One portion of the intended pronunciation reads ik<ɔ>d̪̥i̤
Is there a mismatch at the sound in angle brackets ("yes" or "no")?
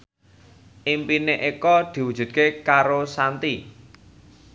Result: no